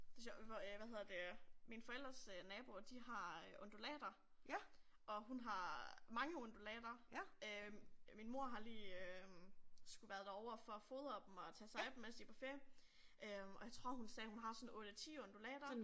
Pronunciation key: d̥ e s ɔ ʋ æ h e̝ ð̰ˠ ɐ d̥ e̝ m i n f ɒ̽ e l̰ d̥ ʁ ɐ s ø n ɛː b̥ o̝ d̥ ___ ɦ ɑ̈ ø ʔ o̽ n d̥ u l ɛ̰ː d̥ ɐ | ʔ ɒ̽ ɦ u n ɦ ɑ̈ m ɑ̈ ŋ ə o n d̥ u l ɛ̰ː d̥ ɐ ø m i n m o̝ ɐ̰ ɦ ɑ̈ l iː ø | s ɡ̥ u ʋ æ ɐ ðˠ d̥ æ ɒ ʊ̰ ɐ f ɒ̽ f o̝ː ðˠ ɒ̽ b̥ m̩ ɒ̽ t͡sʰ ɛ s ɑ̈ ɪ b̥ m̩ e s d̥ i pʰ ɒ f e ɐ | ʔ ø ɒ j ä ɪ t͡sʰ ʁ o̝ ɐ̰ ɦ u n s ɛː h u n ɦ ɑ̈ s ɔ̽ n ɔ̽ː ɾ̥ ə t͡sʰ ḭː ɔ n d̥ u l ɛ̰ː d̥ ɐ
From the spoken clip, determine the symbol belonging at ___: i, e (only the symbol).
i